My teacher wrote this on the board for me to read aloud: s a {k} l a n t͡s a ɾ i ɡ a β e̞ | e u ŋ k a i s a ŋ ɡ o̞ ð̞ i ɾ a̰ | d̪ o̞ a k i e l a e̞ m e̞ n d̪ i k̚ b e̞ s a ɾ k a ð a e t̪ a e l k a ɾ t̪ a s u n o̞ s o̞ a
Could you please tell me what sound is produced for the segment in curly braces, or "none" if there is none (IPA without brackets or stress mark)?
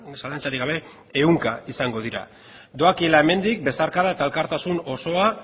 none